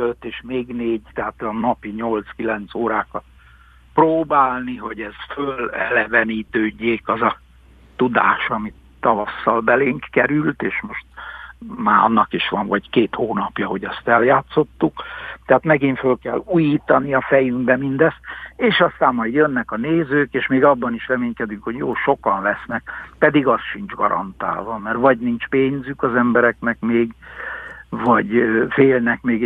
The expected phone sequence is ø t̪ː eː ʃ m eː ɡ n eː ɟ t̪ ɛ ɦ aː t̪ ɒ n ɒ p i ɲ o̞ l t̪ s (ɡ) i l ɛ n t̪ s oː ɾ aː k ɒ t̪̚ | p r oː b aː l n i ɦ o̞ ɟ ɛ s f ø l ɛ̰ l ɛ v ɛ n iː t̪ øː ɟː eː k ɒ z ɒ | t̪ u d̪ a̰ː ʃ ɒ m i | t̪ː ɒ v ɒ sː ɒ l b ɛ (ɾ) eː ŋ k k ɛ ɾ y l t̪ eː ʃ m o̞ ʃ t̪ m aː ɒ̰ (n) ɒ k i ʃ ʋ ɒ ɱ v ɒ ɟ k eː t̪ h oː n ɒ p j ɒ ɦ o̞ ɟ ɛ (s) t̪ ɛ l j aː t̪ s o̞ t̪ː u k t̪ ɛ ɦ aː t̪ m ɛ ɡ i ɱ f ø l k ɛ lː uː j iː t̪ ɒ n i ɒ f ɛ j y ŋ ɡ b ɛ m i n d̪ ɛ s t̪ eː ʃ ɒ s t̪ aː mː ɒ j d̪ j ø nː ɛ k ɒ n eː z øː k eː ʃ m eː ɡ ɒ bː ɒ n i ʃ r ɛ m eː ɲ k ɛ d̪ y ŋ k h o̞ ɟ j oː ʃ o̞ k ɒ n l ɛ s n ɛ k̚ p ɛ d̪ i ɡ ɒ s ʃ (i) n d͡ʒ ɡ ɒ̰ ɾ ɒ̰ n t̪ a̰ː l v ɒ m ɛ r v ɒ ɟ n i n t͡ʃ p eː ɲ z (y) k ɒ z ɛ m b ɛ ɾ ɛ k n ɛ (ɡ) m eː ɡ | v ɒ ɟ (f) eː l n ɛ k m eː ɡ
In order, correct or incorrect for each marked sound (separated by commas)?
incorrect, incorrect, incorrect, correct, correct, correct, incorrect, correct